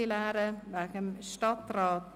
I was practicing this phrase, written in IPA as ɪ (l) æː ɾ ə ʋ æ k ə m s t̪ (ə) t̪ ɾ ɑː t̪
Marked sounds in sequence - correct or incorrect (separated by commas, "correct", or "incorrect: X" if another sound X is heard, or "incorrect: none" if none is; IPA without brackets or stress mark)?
correct, incorrect: ɑ